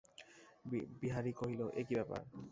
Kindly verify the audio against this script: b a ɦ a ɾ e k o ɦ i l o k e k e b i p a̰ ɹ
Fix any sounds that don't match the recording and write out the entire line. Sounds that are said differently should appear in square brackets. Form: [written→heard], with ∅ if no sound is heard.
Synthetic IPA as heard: b [a→i] ɦ a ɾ [e→i] k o ɦ i l o [k→ʔ] e k [e→i] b [i→ɛ] p a̰ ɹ

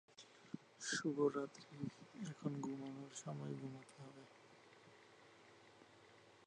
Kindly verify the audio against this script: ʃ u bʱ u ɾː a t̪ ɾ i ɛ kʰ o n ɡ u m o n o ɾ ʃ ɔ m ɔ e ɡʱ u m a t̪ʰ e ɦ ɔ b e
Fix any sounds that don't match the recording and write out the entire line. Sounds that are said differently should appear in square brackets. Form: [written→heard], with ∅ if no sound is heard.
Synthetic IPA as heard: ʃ u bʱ [u→o] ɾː a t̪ ɾ i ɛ kʰ o n ɡ u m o n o ɾ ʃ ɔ m ɔ e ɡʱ u m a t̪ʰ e ɦ ɔ b e

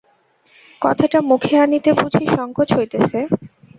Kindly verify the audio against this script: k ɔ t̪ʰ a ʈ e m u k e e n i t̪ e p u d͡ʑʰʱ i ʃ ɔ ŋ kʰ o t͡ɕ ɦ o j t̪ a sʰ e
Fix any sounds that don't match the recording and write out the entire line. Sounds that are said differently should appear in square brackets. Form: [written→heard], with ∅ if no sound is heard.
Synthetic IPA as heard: k ɔ t̪ʰ a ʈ [e→a] m u [k→kʰ] e [e→a] n i t̪ e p u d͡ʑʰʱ i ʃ ɔ ŋ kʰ o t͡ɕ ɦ o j t̪ [a→e] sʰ e

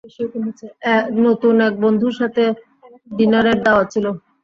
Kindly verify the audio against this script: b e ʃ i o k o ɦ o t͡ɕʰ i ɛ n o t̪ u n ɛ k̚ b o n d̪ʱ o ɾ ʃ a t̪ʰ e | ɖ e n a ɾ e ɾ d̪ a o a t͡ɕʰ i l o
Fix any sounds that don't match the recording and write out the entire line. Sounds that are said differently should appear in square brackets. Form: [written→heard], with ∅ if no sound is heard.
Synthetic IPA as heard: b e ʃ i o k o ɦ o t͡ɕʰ [i→e] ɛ n o t̪ u n ɛ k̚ b o n d̪ʱ [o→u] ɾ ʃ a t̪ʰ e | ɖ [e→i] n a ɾ e ɾ d̪ a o a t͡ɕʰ i l o

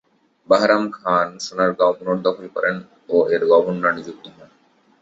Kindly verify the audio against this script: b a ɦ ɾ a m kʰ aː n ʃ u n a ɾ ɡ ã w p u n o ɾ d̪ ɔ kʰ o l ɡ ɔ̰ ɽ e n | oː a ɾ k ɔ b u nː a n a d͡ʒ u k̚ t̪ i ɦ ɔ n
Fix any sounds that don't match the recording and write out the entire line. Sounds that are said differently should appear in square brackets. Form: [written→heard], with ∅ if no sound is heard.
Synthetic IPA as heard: b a ɦ ɾ a m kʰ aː n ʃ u n a ɾ ɡ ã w p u n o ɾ d̪ ɔ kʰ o l [ɡ→k] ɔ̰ [ɽ→ɾ] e n | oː [a→e] ɾ [k→ɡ] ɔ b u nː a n [a→i] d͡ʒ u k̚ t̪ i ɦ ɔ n

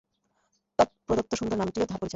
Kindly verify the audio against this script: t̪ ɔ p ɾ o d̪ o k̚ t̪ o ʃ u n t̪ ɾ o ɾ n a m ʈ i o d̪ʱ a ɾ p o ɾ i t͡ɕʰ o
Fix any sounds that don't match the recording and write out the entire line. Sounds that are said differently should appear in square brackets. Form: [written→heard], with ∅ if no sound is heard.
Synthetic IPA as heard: t̪ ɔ p ɾ o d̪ o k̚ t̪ o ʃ u n [t̪→d̪] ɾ o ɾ n a m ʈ i o d̪ʱ a ɾ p o ɾ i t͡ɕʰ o

